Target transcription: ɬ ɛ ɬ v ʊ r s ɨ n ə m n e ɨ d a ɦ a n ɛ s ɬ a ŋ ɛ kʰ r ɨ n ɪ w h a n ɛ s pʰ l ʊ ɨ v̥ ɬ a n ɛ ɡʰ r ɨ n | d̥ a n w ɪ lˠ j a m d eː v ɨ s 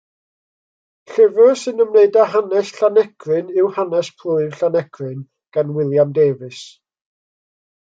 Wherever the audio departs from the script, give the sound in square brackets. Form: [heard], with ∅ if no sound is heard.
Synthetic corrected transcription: ɬ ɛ [∅] v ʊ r s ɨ n ə m n e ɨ d a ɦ a n ɛ s ɬ a [n] ɛ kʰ r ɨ n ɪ w h a n ɛ s pʰ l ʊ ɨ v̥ ɬ a n ɛ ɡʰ r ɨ n | [ɡ̥] a n w ɪ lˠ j a m d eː v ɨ s